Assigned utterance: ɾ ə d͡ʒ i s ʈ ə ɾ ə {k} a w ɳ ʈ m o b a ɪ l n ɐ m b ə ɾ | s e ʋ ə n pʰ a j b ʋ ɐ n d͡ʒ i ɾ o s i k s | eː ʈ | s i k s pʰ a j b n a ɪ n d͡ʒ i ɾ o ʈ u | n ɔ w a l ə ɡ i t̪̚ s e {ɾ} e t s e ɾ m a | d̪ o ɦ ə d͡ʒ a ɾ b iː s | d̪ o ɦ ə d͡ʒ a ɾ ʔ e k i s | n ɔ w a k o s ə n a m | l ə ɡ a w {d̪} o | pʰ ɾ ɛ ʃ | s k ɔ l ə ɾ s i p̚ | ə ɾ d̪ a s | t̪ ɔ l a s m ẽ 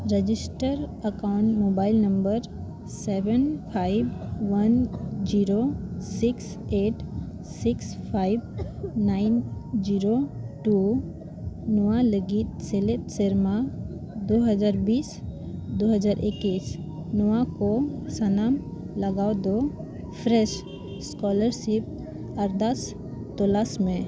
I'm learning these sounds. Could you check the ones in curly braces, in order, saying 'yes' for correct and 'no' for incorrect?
yes, no, yes

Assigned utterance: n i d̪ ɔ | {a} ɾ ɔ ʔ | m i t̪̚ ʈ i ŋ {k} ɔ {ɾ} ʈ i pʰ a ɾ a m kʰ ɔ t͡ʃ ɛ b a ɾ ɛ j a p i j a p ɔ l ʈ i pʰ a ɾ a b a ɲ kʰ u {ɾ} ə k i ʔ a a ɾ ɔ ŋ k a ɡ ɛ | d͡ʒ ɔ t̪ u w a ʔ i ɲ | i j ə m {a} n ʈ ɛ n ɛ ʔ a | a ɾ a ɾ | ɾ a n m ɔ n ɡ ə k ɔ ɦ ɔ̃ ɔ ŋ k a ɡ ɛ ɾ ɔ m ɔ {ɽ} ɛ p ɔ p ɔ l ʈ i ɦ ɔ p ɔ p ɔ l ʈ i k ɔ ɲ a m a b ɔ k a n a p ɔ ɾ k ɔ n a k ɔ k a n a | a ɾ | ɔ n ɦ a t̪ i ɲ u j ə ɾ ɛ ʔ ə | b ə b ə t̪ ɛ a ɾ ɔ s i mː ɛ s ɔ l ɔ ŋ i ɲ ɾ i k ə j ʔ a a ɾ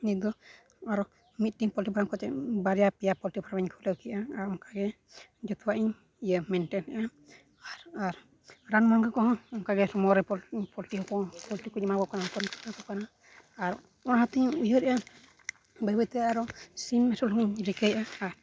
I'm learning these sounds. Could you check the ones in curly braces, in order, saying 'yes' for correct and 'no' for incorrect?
yes, no, no, no, no, no

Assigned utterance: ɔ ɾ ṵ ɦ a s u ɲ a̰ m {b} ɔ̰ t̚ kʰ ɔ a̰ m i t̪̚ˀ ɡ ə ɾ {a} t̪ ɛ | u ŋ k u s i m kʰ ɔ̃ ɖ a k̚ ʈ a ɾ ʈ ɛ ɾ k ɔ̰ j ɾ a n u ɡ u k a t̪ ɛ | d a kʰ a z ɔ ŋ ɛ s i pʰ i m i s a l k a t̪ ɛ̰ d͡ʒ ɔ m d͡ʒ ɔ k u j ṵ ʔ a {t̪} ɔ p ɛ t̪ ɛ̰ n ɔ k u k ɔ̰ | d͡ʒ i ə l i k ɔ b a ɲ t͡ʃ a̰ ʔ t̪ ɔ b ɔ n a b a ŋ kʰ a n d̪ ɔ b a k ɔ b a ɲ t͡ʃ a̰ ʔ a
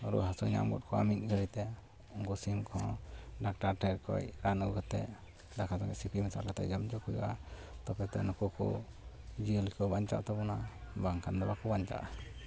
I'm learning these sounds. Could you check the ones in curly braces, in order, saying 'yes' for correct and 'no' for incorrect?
no, no, yes

